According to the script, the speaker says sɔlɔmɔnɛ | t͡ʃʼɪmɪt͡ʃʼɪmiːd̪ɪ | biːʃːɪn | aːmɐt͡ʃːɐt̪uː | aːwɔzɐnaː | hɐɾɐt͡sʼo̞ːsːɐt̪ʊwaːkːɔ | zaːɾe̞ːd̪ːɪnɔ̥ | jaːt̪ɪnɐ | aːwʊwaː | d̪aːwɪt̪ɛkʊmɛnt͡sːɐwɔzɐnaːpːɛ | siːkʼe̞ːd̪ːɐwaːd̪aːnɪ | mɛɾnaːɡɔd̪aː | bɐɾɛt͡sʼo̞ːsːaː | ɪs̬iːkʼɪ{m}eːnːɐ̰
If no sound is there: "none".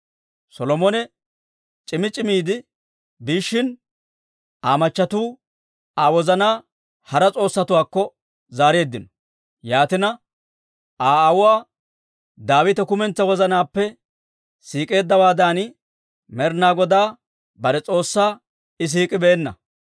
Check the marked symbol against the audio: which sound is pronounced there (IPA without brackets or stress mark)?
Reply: b